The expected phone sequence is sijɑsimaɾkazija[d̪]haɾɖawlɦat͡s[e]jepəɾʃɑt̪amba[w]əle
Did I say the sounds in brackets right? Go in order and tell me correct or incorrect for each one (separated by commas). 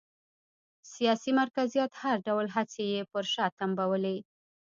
incorrect, correct, correct